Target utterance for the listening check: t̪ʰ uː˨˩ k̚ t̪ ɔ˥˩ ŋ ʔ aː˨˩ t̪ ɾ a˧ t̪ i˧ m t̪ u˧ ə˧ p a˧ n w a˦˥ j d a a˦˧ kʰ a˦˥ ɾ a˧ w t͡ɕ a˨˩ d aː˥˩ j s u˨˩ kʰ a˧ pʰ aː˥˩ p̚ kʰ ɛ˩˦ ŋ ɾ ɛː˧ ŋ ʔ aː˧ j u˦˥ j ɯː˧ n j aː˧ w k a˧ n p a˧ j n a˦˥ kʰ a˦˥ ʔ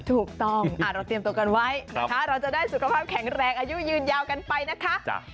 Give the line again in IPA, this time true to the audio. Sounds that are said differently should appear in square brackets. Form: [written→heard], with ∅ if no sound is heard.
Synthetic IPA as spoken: t̪ʰ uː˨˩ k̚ t̪ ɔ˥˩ ŋ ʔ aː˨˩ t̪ ɾ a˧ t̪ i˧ m t̪ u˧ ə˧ [p→k] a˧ n w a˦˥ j [d→n] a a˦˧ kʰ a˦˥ ɾ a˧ w t͡ɕ a˨˩ d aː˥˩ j s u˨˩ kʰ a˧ pʰ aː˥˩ p̚ kʰ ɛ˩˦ ŋ ɾ ɛː˧ ŋ ʔ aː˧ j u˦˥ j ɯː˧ n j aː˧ w k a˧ n p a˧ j n a˦˥ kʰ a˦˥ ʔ